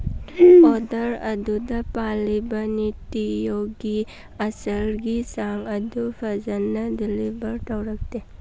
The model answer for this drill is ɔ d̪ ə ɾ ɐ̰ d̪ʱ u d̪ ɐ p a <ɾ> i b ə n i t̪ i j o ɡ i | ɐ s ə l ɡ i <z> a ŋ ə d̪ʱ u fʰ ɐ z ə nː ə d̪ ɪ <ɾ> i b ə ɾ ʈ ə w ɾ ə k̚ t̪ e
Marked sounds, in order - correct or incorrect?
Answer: incorrect, incorrect, incorrect

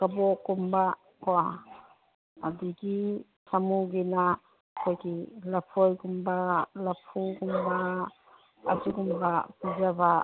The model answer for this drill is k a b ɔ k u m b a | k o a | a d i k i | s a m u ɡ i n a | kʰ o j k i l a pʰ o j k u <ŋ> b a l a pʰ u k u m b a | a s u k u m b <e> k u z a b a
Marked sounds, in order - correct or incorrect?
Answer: incorrect, incorrect

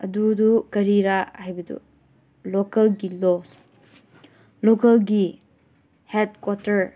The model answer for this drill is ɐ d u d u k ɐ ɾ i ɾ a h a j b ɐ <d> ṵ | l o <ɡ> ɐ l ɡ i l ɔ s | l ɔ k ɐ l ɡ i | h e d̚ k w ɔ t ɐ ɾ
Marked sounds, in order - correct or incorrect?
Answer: correct, incorrect

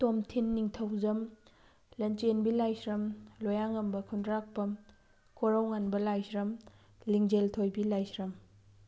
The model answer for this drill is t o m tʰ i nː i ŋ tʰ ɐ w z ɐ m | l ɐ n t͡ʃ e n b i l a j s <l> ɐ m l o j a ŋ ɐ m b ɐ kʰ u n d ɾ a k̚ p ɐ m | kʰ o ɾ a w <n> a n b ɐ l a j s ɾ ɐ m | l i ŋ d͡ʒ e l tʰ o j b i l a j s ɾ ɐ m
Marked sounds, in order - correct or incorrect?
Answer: incorrect, incorrect

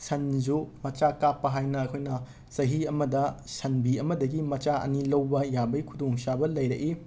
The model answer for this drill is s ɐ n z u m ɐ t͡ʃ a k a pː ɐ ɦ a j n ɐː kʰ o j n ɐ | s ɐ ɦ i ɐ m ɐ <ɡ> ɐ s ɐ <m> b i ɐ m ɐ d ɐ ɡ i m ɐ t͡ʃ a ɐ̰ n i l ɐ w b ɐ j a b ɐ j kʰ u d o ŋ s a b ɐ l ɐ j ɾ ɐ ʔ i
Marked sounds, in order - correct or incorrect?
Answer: incorrect, incorrect

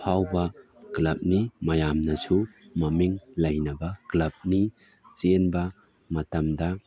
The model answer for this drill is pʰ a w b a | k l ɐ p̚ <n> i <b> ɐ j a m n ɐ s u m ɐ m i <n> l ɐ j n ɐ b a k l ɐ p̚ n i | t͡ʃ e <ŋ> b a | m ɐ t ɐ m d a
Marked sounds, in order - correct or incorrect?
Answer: correct, incorrect, incorrect, incorrect

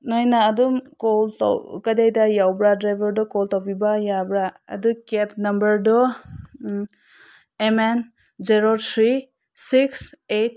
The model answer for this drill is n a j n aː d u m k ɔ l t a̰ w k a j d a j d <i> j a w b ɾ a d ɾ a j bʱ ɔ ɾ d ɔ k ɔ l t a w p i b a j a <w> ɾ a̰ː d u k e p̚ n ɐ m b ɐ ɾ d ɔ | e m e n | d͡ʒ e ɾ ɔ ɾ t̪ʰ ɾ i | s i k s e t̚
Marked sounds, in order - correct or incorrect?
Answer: incorrect, incorrect

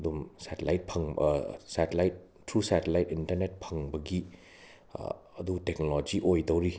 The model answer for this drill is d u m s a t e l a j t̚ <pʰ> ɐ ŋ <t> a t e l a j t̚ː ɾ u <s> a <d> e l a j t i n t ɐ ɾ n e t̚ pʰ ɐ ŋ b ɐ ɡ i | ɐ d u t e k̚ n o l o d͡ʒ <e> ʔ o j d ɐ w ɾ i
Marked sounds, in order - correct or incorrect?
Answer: correct, incorrect, correct, incorrect, incorrect

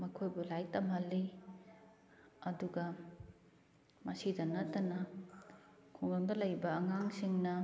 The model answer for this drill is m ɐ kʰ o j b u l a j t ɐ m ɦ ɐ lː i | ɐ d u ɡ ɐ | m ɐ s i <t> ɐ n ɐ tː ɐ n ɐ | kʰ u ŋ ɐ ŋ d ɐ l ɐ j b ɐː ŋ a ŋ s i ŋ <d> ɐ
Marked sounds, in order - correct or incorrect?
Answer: incorrect, incorrect

